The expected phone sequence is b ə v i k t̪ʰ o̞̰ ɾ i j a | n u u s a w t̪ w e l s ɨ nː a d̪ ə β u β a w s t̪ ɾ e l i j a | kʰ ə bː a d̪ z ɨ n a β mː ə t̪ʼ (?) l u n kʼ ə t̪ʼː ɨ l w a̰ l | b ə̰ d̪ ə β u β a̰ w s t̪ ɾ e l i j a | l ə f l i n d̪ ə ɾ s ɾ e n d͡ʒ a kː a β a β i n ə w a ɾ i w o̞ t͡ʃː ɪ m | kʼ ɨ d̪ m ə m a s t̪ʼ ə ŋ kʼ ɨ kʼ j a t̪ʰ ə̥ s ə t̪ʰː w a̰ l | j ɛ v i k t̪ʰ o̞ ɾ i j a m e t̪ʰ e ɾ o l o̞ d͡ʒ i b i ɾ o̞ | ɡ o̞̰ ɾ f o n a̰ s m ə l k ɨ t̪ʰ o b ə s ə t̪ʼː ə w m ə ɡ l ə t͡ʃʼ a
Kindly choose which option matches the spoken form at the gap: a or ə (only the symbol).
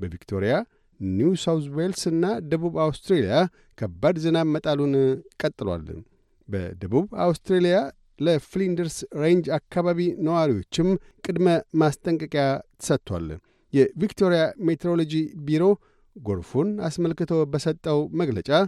a